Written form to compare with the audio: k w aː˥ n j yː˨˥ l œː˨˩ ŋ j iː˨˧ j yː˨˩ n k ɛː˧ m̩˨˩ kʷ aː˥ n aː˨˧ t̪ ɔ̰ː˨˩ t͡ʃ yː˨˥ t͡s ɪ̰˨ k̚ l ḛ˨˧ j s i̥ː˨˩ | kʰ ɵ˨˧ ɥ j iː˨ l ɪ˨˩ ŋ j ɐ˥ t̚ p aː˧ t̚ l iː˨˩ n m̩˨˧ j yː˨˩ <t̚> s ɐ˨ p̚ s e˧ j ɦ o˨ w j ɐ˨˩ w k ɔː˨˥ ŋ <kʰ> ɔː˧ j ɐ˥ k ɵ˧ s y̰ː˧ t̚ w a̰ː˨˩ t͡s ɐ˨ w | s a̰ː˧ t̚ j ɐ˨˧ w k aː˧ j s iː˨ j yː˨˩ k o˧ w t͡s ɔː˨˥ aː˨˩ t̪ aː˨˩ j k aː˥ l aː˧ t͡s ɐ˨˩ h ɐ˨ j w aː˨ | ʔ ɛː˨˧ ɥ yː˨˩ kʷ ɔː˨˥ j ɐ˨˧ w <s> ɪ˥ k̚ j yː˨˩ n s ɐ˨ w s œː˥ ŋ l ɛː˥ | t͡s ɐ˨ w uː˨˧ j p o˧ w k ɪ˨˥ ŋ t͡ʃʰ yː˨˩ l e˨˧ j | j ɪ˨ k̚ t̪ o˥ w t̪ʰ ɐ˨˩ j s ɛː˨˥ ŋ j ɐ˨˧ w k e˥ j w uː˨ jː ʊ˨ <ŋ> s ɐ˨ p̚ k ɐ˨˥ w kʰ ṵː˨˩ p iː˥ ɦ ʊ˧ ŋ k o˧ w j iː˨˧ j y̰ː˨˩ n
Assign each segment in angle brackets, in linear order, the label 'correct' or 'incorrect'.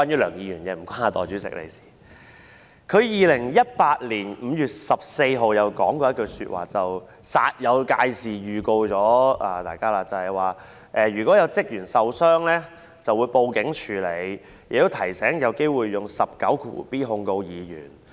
correct, incorrect, incorrect, correct

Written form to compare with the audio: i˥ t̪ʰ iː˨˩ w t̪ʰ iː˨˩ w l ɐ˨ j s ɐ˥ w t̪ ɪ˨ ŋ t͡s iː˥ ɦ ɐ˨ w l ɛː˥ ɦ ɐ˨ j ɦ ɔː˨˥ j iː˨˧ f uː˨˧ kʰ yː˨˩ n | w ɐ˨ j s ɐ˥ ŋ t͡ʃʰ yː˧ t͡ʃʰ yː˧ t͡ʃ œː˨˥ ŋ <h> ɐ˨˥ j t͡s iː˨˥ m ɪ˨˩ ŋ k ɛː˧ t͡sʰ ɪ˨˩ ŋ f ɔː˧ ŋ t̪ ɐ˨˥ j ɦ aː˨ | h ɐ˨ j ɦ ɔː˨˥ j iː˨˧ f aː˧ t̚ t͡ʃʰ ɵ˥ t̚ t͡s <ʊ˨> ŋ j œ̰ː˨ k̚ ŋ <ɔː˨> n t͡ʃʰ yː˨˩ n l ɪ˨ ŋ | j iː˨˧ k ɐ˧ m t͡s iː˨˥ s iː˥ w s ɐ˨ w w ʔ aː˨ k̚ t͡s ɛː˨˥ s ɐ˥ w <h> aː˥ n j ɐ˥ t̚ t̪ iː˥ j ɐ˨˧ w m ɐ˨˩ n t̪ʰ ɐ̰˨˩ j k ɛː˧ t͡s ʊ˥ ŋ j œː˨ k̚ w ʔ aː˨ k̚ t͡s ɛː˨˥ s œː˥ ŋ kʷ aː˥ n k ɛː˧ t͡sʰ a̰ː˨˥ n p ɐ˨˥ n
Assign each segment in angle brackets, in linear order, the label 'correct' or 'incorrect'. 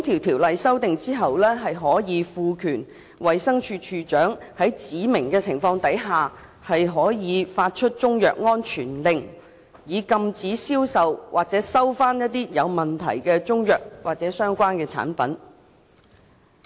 correct, incorrect, incorrect, incorrect

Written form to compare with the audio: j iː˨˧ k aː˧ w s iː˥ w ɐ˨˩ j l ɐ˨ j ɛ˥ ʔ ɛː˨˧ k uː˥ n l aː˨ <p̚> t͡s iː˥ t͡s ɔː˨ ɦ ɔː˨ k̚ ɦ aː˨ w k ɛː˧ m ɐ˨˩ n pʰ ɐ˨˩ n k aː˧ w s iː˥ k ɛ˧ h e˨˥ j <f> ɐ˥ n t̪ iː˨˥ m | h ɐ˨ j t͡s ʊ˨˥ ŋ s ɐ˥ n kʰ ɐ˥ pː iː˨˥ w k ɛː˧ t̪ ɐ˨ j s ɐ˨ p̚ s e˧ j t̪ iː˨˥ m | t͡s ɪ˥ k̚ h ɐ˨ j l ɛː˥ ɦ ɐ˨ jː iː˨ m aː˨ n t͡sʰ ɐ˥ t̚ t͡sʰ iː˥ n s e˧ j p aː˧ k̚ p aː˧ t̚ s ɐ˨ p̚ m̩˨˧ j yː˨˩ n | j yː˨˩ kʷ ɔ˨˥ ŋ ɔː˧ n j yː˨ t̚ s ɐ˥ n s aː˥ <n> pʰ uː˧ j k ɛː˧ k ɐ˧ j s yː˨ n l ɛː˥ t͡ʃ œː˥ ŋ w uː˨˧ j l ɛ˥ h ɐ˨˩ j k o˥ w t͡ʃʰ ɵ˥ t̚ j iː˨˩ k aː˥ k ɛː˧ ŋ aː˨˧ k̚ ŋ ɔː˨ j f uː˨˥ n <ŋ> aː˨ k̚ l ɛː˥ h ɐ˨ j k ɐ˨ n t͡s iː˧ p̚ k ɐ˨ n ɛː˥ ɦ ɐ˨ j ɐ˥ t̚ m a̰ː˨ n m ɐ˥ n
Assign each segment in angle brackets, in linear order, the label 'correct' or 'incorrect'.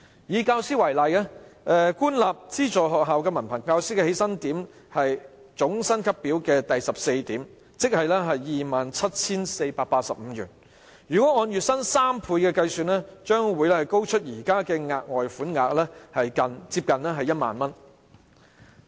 correct, incorrect, incorrect, correct

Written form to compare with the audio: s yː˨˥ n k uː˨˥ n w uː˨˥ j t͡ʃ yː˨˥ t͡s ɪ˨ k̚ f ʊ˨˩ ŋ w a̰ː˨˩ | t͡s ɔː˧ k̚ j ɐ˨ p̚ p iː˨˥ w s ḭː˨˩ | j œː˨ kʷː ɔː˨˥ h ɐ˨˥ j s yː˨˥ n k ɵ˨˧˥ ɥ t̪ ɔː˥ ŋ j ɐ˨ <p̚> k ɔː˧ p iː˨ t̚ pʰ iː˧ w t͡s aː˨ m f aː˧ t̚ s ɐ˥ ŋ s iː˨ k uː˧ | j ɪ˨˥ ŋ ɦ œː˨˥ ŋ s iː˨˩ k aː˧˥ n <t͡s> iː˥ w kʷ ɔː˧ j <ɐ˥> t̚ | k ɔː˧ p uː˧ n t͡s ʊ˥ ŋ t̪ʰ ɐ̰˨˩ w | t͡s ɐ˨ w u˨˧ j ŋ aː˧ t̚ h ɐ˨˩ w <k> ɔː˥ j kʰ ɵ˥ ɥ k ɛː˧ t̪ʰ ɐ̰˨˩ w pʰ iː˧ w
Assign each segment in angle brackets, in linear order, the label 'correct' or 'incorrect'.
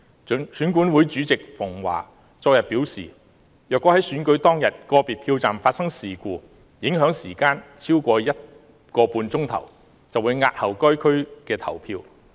incorrect, incorrect, correct, correct

